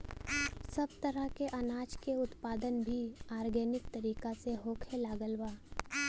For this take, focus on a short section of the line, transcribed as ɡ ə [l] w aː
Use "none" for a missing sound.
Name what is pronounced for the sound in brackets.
l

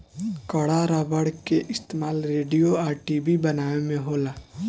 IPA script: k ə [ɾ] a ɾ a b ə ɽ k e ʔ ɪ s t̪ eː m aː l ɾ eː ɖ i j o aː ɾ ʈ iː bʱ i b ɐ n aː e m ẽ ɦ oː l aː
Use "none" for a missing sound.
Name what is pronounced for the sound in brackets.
ɽ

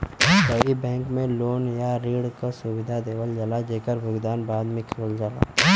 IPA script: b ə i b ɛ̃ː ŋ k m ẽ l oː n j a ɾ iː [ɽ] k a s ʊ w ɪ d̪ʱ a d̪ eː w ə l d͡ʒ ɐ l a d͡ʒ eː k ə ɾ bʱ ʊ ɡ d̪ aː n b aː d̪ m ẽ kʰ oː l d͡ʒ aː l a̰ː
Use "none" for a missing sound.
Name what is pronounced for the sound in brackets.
ɽ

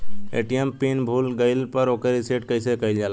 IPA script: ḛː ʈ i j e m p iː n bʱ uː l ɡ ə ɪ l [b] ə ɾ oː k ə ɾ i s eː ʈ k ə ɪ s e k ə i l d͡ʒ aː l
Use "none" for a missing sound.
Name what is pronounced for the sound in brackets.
p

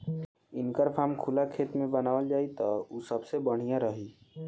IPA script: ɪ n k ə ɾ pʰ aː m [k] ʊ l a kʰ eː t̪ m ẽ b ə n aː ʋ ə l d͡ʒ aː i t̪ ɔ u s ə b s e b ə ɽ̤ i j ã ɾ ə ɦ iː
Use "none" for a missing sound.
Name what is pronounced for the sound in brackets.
kʰ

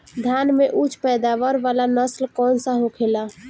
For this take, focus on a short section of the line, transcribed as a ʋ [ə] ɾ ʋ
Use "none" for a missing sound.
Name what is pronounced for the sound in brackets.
ə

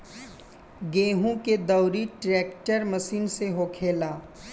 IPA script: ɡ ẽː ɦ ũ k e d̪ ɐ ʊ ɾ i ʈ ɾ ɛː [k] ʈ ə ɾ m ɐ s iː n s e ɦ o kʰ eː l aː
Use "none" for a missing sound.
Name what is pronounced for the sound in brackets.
k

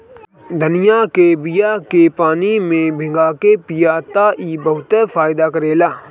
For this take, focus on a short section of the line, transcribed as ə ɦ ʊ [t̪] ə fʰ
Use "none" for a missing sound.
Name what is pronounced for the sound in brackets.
t̪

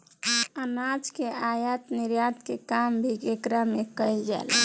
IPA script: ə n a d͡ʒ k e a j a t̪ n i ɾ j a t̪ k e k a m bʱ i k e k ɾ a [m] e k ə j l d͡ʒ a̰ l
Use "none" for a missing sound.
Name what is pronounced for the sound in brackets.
m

